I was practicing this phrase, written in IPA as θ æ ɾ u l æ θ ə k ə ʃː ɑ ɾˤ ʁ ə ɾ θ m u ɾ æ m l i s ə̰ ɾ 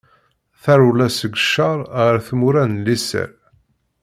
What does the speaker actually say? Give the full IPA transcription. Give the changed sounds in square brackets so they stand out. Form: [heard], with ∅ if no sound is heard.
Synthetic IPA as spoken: θ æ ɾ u l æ [s] ə [ɡ] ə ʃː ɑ ɾˤ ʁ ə ɾ θ m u ɾ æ [n] l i s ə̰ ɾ